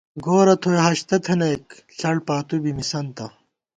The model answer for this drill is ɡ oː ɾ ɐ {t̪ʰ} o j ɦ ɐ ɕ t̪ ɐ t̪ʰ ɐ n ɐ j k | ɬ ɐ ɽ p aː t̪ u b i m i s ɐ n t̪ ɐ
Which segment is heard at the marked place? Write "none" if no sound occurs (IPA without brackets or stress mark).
t̪ʰ